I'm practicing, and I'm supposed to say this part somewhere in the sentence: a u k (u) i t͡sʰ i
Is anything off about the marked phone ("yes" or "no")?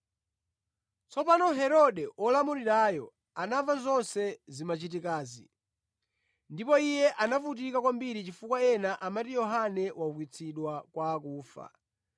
yes